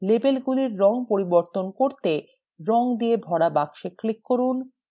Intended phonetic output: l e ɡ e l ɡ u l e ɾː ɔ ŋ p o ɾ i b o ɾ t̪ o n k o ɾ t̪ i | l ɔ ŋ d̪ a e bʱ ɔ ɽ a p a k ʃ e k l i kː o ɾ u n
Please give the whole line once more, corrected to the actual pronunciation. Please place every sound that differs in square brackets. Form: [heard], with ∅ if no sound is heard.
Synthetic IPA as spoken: l e [b] e l ɡ u l [i] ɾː ɔ ŋ p o ɾ i b o ɾ t̪ o n k o ɾ t̪ [e] | [ɾ] ɔ ŋ d̪ [i] e bʱ ɔ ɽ a [b] a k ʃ e k l i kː o ɾ u n